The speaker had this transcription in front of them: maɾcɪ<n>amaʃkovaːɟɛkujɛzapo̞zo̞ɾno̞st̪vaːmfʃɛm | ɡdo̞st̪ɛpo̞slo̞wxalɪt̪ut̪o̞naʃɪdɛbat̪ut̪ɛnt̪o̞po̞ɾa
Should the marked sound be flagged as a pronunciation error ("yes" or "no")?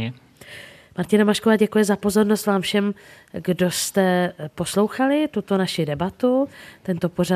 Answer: no